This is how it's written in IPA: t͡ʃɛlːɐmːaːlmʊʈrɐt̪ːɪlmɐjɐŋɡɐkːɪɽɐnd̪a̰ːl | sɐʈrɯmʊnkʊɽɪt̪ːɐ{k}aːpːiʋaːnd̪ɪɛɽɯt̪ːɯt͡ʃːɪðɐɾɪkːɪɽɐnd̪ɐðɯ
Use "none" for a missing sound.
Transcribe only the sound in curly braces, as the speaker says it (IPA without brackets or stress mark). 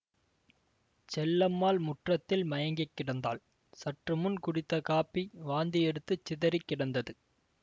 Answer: k